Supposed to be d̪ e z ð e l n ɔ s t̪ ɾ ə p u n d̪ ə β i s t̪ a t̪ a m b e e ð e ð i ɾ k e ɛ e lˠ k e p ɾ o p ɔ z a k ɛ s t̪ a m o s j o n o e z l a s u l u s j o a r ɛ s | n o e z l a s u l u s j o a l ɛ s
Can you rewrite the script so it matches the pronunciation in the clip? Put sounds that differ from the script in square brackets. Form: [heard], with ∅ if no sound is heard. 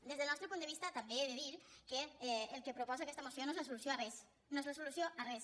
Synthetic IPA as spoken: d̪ e z ð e l n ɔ s t̪ ɾ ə p u n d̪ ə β i s t̪ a t̪ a m b e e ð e ð i ɾ k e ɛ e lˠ k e p ɾ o p ɔ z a k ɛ s t̪ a m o s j o n o e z l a s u l u s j o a r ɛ s | n o e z l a s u l u s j o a [r] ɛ s